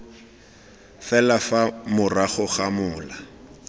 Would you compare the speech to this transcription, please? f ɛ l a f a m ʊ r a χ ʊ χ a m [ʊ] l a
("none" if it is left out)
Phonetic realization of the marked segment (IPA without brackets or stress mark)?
ʊː